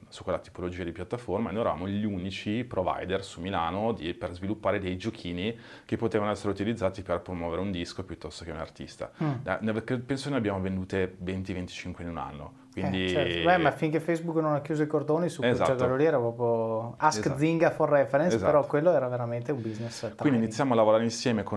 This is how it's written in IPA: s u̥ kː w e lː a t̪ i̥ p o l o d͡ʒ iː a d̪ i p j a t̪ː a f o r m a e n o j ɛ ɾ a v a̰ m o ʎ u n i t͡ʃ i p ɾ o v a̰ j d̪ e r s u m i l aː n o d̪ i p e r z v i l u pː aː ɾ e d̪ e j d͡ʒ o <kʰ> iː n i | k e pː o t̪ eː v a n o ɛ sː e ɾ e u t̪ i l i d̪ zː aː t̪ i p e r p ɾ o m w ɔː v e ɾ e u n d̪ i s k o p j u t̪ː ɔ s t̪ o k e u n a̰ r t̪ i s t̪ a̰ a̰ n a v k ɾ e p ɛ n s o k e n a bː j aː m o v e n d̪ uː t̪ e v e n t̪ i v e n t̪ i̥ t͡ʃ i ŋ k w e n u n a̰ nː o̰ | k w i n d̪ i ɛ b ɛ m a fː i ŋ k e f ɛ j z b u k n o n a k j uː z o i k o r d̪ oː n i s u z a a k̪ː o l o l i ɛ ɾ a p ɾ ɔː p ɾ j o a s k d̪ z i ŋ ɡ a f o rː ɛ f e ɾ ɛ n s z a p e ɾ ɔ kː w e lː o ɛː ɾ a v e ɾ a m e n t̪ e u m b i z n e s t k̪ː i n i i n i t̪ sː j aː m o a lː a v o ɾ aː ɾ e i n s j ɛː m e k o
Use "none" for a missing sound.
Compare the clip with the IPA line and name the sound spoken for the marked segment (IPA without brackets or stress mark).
kʰ